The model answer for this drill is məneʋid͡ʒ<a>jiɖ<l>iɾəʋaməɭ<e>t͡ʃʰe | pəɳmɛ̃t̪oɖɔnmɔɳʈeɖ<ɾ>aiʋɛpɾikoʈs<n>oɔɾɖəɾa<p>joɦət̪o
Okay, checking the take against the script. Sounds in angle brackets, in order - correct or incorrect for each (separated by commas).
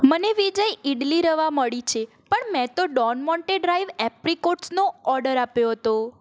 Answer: incorrect, correct, incorrect, correct, correct, correct